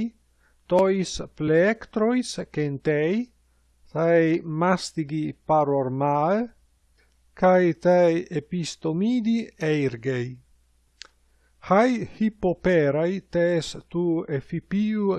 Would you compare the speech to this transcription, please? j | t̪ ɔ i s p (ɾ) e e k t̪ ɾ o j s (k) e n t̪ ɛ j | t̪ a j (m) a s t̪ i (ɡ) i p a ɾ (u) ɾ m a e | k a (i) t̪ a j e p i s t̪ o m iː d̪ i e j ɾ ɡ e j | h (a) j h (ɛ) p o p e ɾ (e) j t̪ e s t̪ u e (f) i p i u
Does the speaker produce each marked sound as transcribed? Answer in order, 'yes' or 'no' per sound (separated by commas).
no, yes, yes, yes, no, no, yes, no, no, yes